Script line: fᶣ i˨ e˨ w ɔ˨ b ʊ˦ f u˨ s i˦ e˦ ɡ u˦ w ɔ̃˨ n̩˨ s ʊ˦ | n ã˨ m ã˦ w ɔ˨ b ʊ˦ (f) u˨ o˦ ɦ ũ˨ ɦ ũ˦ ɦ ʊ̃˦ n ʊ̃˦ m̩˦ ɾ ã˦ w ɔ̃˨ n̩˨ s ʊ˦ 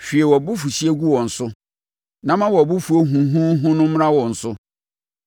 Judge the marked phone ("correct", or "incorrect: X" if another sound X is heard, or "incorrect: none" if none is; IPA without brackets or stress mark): correct